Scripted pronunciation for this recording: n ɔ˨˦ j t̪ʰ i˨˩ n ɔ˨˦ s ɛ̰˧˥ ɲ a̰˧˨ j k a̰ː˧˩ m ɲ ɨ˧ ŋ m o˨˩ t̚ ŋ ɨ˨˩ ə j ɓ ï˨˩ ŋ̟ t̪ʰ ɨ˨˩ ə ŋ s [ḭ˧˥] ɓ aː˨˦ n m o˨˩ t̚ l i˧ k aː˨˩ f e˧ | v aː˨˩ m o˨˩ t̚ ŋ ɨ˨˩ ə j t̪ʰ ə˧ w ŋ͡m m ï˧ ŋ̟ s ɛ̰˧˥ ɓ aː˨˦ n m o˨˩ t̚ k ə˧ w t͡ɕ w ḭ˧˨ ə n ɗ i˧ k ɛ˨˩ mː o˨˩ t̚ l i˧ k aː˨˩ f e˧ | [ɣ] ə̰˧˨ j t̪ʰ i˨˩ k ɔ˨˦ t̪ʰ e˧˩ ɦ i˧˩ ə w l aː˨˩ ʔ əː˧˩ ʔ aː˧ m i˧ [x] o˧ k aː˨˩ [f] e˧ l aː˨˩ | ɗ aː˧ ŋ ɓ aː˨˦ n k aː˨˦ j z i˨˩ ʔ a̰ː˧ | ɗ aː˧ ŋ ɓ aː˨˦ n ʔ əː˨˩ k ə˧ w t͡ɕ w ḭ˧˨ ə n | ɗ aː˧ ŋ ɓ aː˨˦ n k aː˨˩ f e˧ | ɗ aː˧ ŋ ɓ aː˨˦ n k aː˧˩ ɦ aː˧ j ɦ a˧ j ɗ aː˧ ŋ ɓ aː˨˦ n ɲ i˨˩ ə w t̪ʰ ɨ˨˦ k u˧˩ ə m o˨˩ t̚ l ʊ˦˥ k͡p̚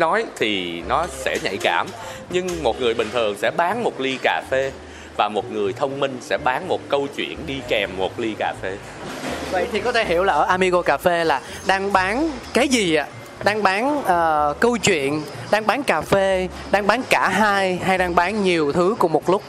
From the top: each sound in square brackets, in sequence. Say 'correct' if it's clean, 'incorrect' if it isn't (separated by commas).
incorrect, incorrect, incorrect, correct